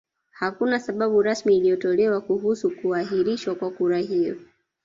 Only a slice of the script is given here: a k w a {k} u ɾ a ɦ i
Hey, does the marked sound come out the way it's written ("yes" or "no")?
yes